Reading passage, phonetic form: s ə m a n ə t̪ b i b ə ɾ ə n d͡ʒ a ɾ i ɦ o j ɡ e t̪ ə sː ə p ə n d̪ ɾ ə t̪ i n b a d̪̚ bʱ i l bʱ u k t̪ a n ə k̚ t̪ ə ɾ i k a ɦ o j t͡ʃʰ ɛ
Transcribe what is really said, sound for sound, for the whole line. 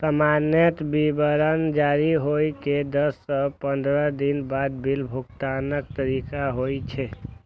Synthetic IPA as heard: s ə m a n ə t̪ b i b ə ɾ ə n d͡ʒ a ɾ i ɦ o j k e d̪ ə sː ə p ə n d̪ ɾ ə d̪ i n b a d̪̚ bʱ i l bʱ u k t̪ a n ə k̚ t̪ ə ɾ i k a ɦ o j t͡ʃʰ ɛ